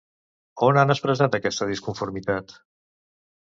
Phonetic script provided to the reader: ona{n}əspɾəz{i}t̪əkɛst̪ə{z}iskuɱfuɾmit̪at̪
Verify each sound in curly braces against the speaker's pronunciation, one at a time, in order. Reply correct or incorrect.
correct, incorrect: a, incorrect: ð

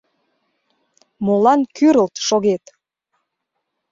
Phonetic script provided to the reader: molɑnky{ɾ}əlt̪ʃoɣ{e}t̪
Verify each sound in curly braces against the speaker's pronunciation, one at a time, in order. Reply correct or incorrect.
correct, correct

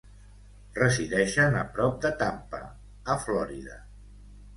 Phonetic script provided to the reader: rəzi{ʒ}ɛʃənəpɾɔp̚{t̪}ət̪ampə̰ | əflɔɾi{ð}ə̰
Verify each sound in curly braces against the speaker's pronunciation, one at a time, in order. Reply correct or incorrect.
incorrect: ð, incorrect: d̪, correct

